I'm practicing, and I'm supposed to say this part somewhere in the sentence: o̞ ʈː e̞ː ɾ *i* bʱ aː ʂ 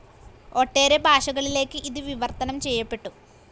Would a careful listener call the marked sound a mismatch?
yes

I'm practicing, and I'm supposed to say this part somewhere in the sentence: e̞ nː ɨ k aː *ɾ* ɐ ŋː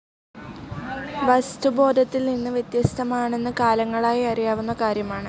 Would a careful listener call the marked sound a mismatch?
yes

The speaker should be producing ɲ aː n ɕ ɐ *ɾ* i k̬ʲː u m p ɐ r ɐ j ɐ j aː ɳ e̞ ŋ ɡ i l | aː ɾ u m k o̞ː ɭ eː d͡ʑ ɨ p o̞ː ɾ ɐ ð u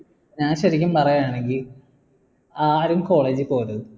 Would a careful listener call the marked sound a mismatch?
no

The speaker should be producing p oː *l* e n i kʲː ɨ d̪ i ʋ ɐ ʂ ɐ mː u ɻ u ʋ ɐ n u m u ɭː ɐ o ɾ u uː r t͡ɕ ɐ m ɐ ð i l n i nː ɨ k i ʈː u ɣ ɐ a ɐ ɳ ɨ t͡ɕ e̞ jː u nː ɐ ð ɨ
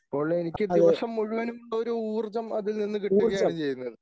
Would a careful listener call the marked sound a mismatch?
yes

